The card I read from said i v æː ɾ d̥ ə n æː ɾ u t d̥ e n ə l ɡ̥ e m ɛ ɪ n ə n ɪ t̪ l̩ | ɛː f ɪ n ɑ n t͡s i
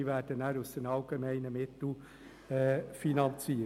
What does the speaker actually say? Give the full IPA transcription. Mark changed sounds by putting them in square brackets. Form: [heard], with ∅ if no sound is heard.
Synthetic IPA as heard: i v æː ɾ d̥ ə n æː ɾ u [s] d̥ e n [ɑ] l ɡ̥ e m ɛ ɪ n ə [m] ɪ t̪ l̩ | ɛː f [i] n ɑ n t͡s i